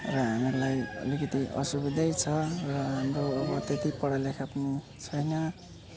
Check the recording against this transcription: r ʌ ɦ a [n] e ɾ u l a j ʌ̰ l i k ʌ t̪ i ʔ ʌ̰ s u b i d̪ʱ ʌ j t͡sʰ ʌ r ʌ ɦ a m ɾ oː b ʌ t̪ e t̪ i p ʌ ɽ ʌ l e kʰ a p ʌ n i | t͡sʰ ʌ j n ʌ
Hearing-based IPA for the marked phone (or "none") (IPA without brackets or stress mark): m